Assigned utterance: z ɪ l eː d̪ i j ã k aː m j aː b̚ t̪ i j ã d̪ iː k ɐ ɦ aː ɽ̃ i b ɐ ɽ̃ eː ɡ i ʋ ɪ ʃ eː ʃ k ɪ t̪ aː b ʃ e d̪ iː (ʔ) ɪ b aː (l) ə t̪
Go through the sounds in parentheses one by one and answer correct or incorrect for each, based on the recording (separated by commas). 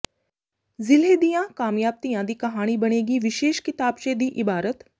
correct, incorrect